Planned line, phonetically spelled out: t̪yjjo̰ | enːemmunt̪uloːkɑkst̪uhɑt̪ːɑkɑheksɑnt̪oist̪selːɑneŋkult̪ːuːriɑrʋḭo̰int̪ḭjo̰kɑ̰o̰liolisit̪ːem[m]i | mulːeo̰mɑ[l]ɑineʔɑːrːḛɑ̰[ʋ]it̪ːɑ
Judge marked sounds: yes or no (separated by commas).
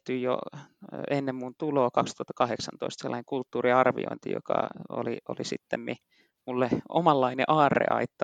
yes, no, no